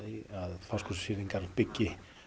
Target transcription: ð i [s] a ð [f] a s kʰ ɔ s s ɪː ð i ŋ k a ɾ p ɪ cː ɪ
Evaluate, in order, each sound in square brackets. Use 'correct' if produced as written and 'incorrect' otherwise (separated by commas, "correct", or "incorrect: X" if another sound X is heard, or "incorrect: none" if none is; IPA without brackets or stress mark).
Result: incorrect: none, correct